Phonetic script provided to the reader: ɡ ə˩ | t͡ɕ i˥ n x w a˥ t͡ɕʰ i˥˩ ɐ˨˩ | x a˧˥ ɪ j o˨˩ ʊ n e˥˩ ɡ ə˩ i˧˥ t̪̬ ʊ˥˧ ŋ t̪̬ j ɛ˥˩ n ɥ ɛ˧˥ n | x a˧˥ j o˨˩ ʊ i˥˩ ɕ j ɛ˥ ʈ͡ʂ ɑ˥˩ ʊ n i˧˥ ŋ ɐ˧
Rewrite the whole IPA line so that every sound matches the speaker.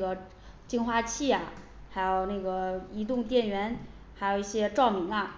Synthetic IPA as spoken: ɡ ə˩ | t͡ɕ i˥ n x w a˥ t͡ɕʰ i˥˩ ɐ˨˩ | x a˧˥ ɪ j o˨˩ ʊ n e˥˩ ɡ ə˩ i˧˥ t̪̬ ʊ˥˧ ŋ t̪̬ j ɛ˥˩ n ɥ ɛ˧˥ n | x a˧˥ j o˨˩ ʊ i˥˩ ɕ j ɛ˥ ʈ͡ʂ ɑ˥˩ ʊ m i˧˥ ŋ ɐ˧